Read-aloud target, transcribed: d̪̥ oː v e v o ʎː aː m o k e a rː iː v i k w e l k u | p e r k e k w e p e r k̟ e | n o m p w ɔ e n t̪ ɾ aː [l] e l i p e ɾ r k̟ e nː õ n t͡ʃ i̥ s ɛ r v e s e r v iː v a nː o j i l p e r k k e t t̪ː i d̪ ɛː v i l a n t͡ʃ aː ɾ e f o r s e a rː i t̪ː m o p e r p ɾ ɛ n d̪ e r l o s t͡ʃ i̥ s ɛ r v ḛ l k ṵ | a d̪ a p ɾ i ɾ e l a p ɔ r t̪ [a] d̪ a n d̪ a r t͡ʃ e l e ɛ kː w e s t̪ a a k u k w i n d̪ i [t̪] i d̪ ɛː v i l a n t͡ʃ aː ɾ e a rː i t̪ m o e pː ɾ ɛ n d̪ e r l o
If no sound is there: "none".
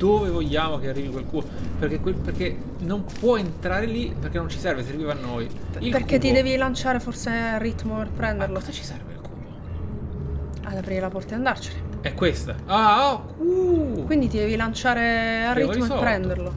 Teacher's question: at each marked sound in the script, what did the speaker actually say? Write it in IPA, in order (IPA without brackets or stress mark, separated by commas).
ɾ, a, t̪